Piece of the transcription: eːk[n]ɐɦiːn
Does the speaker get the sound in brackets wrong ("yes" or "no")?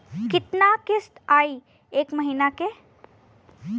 yes